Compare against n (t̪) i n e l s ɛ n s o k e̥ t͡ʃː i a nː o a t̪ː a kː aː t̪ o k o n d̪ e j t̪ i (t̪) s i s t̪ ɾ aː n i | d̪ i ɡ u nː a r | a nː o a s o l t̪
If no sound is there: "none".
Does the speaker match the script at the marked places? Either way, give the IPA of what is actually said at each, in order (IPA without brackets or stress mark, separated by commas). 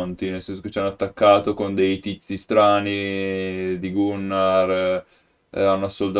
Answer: t̪, t̪